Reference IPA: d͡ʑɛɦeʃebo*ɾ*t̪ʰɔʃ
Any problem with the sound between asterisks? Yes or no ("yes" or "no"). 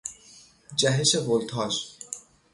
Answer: yes